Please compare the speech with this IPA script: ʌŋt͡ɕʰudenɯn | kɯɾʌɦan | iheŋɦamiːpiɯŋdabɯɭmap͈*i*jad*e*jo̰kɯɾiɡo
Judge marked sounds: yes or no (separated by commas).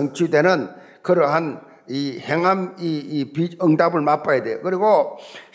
no, yes